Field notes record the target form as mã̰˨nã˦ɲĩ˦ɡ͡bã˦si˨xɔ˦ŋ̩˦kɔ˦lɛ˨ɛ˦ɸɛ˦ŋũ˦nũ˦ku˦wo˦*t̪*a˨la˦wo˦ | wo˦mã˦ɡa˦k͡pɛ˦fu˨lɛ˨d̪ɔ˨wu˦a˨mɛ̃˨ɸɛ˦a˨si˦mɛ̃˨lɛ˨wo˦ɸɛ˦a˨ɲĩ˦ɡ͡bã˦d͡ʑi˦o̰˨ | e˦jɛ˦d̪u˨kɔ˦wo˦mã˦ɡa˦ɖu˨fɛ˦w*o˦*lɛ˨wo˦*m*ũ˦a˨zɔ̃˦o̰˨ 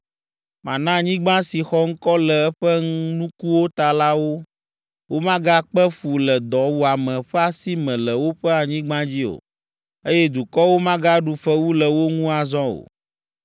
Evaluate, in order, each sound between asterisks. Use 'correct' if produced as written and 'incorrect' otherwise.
correct, incorrect: u˦, incorrect: ŋ

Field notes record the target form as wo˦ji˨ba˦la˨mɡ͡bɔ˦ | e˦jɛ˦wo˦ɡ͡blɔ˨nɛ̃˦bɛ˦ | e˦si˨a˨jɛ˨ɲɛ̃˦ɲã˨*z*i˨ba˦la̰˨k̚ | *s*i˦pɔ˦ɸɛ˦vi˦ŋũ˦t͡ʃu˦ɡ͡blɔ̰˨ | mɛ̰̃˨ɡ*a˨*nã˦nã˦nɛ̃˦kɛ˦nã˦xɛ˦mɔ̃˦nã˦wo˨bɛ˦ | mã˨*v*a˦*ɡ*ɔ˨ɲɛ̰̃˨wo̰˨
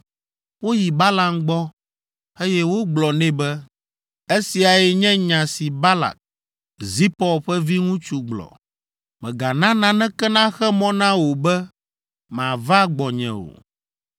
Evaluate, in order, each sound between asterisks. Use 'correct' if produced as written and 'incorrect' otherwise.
incorrect: s, incorrect: z, correct, correct, incorrect: ɡ͡b

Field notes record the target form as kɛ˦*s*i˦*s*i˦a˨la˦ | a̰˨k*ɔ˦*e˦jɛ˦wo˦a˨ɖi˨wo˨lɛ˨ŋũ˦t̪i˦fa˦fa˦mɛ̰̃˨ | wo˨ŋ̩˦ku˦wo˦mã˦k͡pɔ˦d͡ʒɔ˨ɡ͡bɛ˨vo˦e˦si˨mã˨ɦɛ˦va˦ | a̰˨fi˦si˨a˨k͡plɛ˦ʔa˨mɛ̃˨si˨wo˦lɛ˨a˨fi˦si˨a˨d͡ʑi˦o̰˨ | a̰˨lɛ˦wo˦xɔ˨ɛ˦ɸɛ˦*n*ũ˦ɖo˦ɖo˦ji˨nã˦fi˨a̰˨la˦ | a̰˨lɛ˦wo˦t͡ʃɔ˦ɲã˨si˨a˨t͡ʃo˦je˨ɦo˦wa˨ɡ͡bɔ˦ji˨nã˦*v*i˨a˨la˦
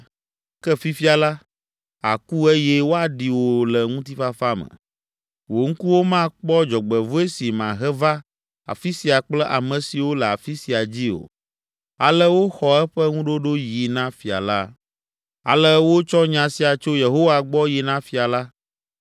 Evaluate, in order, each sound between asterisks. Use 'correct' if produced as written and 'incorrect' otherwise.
incorrect: f, incorrect: f, incorrect: u˦, incorrect: ŋ, incorrect: f

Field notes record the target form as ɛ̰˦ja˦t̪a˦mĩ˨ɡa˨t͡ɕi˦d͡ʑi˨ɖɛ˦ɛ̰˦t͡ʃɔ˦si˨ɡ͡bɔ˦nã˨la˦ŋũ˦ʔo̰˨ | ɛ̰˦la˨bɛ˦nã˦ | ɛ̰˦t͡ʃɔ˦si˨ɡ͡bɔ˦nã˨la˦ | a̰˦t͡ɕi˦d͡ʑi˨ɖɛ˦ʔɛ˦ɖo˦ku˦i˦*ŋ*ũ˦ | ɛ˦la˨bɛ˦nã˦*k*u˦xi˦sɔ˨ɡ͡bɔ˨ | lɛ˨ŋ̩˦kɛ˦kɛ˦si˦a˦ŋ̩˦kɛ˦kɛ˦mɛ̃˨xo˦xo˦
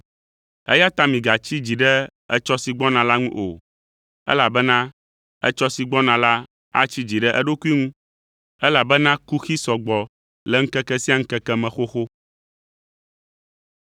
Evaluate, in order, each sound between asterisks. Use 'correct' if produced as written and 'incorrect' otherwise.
correct, correct

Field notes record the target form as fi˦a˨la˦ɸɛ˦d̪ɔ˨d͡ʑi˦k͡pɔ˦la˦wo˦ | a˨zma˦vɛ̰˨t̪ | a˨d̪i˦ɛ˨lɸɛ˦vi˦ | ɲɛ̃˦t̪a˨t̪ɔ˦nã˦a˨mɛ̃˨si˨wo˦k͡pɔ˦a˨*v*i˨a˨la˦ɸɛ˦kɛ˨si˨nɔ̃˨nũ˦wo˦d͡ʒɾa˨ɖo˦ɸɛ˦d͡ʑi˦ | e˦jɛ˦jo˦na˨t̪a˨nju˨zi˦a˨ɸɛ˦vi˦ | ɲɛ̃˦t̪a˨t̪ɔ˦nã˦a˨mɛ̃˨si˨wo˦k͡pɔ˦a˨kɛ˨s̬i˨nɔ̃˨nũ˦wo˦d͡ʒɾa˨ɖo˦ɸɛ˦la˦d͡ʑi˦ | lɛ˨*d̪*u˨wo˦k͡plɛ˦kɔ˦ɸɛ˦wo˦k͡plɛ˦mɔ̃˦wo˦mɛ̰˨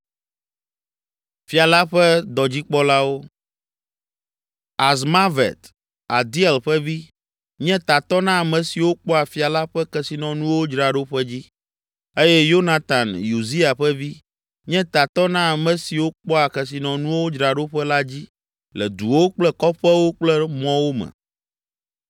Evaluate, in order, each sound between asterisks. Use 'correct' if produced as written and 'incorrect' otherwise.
incorrect: f, correct

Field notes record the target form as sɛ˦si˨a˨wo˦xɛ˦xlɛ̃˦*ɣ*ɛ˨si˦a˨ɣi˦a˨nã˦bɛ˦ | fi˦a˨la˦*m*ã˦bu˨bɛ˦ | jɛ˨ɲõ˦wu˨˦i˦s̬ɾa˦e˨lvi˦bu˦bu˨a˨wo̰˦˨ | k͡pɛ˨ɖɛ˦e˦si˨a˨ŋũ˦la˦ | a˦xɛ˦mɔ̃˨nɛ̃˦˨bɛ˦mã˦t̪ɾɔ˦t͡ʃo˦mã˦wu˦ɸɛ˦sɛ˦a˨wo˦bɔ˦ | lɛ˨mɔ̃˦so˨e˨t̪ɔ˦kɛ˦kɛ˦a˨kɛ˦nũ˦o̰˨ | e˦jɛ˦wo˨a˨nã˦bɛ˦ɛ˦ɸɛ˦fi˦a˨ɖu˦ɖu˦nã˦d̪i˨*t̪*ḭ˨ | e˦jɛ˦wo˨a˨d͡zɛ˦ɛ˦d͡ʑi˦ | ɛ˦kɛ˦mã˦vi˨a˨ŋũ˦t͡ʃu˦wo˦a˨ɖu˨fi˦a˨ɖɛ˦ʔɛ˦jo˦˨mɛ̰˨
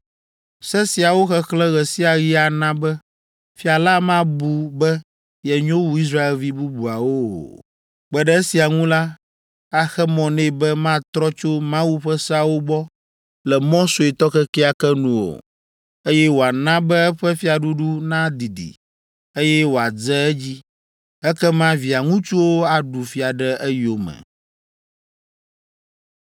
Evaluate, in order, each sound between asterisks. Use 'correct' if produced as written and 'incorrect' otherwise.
correct, correct, incorrect: d̪

